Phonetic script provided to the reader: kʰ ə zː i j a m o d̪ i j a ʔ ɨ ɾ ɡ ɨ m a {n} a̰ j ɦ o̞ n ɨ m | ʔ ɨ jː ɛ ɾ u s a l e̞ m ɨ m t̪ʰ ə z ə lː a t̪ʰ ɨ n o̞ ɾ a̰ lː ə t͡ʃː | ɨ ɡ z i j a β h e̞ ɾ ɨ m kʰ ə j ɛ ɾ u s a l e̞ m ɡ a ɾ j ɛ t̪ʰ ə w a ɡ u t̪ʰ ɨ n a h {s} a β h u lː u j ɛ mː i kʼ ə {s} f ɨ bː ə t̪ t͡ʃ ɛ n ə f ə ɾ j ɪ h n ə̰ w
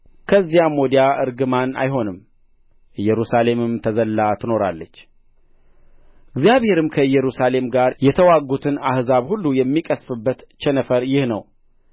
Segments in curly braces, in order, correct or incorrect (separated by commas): correct, incorrect, correct